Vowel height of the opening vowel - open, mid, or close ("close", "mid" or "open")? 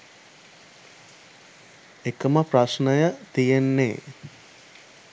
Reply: mid